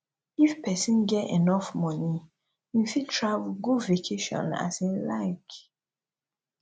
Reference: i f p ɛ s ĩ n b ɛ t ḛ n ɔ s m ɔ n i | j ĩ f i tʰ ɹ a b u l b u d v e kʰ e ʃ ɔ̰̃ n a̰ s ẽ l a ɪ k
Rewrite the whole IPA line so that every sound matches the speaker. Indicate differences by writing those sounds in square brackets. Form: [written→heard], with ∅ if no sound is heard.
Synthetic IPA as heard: i f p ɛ s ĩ n [b→ɡ] ɛ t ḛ n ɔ [s→f] m ɔ n i | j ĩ f i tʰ ɹ a [b→v] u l [b→ɡ] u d v e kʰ e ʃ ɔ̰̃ n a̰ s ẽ l a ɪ k